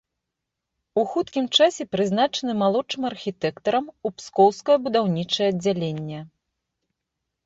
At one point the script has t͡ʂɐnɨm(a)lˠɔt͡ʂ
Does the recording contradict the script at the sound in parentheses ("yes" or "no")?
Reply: no